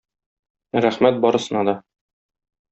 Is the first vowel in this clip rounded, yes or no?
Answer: no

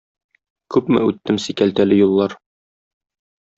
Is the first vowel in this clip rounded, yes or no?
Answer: yes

